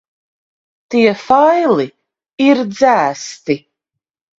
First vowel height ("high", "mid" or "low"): high